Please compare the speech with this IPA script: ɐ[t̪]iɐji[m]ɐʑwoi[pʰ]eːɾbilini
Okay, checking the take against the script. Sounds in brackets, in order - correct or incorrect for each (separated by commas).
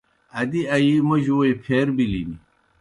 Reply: incorrect, correct, correct